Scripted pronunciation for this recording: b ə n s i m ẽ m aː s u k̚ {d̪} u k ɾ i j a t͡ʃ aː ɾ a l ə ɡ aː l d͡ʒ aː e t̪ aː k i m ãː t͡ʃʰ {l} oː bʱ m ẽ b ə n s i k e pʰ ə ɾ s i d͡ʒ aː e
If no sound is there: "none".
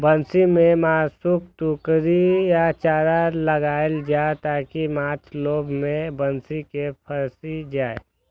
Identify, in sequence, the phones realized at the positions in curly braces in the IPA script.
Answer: t̪, l

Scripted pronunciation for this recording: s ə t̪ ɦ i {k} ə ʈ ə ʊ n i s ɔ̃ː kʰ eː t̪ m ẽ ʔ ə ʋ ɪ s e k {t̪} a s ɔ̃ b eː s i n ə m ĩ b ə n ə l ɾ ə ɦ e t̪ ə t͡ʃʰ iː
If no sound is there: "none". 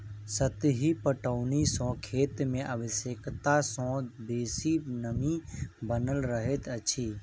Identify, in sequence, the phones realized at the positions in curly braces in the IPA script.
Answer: p, t̪

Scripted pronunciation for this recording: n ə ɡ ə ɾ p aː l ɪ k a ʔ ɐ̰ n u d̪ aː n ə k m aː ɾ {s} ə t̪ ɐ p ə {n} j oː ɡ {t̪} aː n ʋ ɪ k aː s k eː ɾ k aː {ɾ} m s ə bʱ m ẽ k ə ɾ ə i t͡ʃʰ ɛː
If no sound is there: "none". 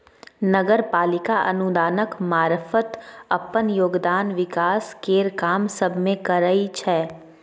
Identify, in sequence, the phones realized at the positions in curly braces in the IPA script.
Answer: f, n, d̪, none

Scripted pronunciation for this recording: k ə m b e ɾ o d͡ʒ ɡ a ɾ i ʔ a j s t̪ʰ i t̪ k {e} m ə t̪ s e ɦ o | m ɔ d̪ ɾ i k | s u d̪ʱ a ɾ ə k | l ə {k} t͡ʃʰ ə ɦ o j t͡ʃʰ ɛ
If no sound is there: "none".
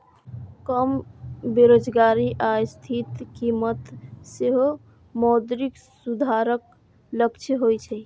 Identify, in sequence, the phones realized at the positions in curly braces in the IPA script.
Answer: i, k

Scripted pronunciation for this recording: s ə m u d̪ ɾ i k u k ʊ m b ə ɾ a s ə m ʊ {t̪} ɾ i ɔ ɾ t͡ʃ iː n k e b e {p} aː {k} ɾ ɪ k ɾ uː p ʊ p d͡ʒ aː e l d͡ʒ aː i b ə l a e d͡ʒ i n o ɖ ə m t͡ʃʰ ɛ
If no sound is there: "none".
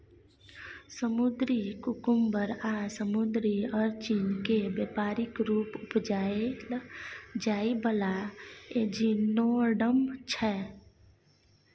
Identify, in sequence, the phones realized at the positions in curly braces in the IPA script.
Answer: d̪, p, none

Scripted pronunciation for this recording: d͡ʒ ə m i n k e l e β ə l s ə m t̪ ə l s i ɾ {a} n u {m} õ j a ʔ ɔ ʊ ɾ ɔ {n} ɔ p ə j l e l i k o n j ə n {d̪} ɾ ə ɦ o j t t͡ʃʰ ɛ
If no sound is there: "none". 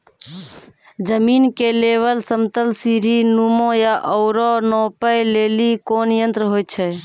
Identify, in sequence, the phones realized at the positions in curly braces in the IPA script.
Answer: i, m, n, t̪

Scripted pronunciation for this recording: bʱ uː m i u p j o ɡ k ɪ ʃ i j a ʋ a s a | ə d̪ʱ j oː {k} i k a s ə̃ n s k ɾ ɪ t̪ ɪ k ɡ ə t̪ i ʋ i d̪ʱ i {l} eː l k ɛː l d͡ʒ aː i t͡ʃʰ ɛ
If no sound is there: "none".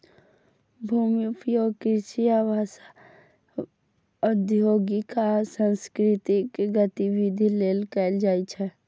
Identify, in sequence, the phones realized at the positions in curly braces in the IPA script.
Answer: ɡ, l

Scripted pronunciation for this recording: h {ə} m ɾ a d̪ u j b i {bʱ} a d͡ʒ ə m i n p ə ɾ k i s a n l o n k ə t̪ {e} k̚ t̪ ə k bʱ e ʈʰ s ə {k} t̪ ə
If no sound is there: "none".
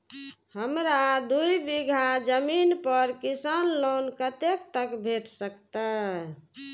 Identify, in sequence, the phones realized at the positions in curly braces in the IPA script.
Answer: ə, ɡʱ, e, k

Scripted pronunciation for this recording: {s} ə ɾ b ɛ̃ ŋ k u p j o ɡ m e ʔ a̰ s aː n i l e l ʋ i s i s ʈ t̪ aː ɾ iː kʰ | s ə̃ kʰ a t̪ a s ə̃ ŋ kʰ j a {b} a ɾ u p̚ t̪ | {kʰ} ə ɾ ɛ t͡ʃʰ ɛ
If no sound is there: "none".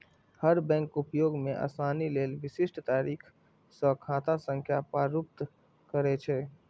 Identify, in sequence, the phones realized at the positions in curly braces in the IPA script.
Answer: h, p, k

